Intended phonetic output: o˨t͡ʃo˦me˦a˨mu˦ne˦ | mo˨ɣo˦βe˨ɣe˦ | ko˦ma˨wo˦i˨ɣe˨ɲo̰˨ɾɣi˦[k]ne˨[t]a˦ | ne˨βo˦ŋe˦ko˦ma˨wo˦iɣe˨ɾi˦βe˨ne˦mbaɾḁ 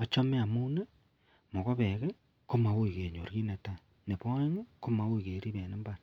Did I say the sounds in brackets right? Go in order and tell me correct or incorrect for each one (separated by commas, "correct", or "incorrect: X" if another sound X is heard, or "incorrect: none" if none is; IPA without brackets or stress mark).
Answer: incorrect: none, correct